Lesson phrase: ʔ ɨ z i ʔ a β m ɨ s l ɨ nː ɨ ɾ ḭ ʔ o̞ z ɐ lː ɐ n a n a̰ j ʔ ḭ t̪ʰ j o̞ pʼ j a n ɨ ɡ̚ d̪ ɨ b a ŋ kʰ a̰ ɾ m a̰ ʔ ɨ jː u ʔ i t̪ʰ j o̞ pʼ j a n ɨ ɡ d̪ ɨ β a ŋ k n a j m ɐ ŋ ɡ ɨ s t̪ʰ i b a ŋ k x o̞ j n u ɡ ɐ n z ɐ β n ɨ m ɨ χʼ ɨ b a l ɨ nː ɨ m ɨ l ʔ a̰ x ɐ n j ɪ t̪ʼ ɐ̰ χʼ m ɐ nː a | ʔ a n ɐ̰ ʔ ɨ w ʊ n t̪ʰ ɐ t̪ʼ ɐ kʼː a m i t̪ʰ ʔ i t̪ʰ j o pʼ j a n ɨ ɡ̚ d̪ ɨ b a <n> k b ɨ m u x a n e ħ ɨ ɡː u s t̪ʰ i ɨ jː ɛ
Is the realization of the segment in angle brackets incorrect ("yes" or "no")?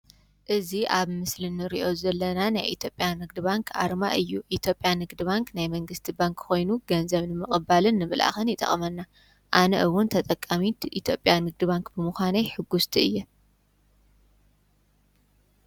yes